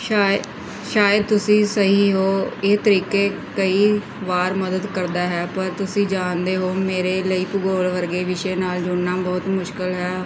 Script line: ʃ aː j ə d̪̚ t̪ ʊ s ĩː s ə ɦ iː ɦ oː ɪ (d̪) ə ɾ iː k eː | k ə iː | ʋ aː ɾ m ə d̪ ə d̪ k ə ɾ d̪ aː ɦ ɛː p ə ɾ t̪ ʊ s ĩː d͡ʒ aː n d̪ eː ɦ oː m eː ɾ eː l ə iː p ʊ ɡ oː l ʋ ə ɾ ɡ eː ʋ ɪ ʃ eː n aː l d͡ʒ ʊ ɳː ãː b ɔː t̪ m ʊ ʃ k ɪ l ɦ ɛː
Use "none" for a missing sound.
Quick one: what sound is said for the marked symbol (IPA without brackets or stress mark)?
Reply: t̪